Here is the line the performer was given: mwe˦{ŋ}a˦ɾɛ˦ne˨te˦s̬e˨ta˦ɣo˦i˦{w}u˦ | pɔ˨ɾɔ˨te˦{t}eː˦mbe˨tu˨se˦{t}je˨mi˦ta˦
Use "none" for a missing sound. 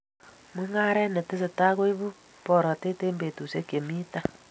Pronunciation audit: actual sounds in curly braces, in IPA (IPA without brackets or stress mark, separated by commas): ŋ, β, t, k